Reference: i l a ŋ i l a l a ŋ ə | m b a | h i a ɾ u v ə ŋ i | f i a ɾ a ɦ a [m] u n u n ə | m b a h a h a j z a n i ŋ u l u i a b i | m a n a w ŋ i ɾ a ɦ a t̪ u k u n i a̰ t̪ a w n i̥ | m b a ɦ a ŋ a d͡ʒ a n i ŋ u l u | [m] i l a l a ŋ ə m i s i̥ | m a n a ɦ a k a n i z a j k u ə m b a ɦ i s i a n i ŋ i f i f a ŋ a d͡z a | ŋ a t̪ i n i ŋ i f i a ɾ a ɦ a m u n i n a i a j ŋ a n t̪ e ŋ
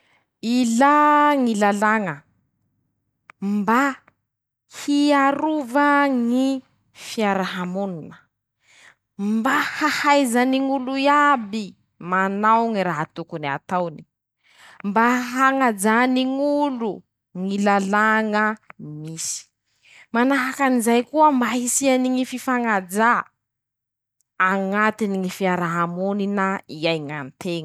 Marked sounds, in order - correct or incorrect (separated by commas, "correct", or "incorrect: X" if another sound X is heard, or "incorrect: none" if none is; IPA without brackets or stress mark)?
correct, incorrect: ŋ